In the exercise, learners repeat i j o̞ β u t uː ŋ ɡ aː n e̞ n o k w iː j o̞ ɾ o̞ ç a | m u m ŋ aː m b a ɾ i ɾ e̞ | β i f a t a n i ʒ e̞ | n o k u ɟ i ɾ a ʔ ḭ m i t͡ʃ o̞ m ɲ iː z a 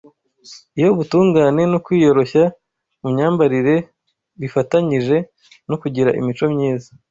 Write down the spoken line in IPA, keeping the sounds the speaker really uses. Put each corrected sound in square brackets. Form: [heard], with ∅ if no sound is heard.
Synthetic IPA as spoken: i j o̞ β u t uː ŋ ɡ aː n e̞ n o k w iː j o̞ ɾ o̞ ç a | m u m [ɲ] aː m b a ɾ i ɾ e̞ | β i f a t a [ɲ] i ʒ e̞ | n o k u ɟ i ɾ a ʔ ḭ m i t͡ʃ o̞ m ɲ iː z a